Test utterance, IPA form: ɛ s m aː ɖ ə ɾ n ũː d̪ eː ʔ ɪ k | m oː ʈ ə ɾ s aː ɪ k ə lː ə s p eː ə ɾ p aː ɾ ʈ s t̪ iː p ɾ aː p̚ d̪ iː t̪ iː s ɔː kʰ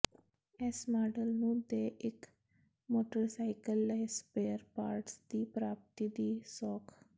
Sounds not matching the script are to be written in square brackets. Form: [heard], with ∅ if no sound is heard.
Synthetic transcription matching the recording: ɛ s m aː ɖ ə [l] n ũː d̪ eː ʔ ɪ k | m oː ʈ ə ɾ s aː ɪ k ə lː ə s p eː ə ɾ p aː ɾ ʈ s [d̪] iː p ɾ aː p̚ [t̪] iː [d̪] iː s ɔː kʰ